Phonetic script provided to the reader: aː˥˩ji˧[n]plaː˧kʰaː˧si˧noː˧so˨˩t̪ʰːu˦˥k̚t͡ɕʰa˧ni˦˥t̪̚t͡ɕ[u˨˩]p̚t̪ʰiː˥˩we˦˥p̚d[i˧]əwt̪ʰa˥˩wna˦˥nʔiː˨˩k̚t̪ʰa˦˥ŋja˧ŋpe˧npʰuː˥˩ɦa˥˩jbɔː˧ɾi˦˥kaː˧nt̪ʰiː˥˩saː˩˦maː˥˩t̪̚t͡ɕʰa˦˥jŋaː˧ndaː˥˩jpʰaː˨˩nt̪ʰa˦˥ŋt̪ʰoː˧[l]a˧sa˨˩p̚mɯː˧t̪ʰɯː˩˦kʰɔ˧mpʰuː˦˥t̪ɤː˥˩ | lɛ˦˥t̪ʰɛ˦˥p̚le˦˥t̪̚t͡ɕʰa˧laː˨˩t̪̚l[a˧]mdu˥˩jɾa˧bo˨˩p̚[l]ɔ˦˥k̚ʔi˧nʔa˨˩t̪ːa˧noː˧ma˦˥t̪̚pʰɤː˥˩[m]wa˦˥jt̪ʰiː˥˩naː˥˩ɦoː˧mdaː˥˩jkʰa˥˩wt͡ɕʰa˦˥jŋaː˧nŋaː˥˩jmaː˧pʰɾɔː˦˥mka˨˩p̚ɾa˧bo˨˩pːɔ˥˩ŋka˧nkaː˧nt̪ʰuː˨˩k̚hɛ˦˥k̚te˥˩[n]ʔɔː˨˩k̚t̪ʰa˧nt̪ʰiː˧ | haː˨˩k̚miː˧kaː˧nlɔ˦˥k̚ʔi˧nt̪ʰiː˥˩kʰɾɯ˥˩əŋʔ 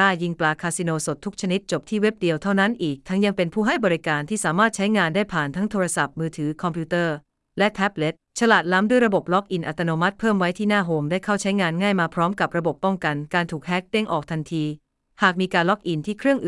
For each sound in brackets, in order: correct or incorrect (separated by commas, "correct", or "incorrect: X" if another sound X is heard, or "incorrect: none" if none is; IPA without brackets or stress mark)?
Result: incorrect: ŋ, incorrect: o˨˩, correct, incorrect: ɾ, incorrect: a˦˥, correct, correct, incorrect: ŋ